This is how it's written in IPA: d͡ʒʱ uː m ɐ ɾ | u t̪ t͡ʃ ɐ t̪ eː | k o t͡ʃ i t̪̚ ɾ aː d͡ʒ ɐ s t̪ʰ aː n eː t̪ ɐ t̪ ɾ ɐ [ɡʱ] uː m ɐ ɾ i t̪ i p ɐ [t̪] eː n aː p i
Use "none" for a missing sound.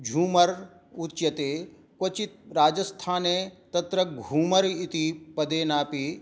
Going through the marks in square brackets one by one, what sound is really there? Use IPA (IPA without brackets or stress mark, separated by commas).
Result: ɡʱ, d̪